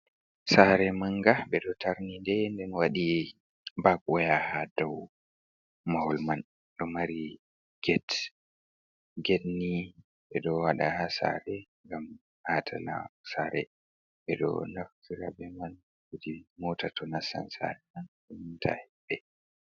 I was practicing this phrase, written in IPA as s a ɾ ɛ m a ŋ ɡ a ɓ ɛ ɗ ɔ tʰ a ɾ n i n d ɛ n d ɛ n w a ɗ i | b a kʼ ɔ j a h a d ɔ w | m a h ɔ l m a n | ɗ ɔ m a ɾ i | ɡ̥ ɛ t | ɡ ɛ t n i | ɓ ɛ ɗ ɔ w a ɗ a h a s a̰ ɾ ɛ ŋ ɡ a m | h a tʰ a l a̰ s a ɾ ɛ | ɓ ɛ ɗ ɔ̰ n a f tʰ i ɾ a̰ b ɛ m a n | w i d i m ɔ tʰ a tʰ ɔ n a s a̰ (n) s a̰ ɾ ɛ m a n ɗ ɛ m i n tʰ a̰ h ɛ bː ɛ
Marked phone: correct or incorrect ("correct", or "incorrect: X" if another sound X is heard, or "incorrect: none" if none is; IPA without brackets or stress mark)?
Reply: correct